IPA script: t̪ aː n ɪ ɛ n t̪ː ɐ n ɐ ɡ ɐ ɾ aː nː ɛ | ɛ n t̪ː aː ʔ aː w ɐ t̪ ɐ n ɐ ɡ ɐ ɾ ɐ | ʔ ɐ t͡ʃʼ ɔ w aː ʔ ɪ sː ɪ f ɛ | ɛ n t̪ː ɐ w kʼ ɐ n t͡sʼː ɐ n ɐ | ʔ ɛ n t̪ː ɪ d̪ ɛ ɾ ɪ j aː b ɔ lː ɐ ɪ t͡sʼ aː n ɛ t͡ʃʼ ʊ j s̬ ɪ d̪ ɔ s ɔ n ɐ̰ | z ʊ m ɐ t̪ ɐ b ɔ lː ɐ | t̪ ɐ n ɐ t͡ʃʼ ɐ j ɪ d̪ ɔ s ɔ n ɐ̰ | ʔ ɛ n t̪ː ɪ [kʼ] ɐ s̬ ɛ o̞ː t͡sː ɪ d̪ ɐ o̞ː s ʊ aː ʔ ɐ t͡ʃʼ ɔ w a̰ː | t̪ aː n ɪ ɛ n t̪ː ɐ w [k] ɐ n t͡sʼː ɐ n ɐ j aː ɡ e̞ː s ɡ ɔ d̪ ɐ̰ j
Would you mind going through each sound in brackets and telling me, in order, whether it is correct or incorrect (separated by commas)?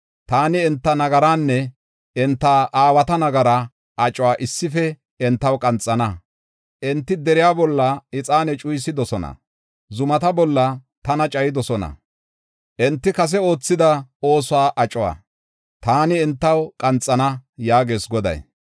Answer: incorrect, incorrect